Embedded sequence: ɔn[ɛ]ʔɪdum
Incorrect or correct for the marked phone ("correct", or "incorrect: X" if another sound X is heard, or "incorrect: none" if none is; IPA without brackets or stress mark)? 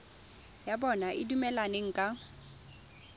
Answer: incorrect: a